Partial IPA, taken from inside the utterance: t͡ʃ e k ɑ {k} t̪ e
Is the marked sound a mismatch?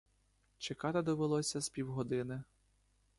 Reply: yes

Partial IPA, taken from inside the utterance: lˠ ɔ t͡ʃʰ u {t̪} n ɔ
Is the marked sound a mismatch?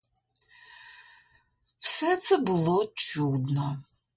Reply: yes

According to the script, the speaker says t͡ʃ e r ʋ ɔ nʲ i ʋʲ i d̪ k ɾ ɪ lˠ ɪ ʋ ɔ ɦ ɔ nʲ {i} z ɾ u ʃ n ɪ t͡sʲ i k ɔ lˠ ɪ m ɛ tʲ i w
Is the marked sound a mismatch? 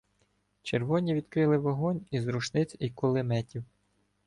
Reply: no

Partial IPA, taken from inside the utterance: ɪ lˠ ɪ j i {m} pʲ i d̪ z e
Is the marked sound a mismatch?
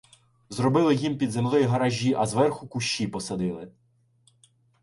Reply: no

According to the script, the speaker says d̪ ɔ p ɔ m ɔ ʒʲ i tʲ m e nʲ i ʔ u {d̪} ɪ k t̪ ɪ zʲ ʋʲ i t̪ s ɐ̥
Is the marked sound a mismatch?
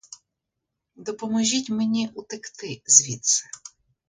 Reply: yes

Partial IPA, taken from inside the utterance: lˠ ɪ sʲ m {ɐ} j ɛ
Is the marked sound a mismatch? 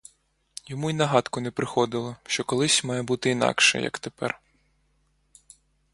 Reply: yes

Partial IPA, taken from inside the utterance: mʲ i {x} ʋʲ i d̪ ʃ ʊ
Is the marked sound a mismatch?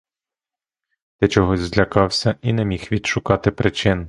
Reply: no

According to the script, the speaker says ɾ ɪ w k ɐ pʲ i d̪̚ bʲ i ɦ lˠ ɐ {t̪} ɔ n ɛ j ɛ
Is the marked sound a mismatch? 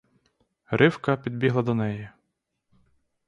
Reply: yes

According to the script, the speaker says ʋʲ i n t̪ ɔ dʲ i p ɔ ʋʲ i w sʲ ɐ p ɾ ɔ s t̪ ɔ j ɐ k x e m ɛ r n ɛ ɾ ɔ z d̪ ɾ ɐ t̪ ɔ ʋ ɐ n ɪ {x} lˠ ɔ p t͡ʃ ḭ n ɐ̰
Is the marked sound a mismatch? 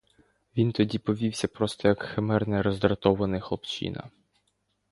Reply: no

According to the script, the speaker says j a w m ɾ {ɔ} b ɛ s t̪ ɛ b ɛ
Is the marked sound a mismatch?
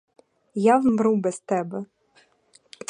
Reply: yes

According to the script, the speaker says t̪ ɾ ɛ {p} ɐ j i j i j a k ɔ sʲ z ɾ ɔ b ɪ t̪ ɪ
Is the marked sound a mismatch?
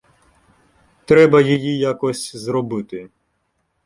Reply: yes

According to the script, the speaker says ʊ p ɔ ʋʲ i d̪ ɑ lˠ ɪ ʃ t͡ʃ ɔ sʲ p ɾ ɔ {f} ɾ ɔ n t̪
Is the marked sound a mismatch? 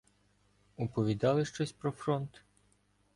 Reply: no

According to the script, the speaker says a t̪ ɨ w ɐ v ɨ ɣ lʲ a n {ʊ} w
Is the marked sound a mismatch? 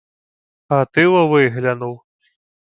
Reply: yes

